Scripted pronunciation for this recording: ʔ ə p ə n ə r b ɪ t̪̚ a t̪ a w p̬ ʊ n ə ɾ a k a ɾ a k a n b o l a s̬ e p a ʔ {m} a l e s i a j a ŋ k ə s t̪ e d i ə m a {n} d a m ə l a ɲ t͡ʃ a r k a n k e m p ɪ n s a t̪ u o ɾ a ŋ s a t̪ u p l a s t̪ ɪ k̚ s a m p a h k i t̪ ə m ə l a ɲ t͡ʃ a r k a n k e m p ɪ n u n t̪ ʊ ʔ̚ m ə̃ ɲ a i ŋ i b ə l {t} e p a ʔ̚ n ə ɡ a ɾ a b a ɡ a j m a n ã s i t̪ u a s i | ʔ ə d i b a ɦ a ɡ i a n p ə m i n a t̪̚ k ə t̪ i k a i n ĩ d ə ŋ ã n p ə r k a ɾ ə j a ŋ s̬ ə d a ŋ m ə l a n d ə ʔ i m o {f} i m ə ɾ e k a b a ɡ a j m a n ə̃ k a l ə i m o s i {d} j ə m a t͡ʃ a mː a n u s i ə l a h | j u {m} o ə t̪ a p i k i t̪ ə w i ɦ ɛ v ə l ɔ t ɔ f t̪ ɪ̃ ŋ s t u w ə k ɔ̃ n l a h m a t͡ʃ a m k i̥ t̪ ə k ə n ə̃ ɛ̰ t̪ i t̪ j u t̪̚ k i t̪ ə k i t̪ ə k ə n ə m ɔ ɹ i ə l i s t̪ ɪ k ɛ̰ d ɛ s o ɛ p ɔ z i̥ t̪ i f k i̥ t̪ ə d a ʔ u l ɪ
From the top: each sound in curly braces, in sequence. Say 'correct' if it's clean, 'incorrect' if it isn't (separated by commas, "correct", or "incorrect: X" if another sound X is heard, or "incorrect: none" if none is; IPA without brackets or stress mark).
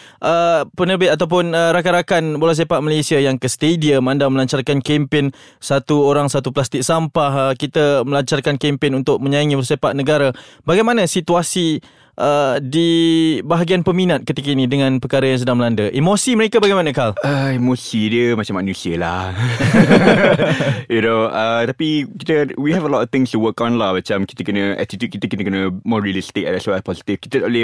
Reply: correct, correct, incorrect: s, incorrect: s, correct, incorrect: n